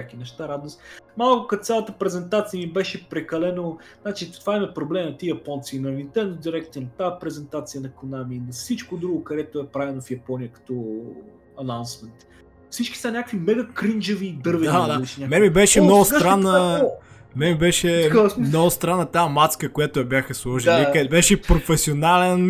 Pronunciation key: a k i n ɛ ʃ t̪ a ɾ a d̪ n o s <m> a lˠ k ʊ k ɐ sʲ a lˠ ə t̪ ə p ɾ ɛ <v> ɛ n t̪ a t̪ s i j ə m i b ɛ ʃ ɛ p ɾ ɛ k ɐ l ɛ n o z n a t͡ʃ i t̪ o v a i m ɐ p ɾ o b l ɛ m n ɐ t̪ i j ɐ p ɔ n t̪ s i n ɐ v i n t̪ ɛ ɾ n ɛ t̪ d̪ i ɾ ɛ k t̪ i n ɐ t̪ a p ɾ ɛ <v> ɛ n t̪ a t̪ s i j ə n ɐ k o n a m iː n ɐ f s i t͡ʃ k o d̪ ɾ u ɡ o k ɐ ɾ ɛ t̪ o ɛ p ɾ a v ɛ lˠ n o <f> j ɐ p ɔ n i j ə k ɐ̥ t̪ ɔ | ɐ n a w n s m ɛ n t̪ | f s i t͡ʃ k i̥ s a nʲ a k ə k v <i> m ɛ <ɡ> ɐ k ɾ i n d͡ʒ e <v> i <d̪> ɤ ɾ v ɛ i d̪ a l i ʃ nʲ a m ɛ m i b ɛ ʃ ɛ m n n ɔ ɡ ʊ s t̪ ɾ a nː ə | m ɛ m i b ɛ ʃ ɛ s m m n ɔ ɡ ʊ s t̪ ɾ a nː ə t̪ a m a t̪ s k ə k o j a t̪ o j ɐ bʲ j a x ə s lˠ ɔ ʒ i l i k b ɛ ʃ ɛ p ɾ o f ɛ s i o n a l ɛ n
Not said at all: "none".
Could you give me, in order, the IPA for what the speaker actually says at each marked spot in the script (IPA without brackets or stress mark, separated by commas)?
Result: m, z, z, f, i, ɡ, v, d̪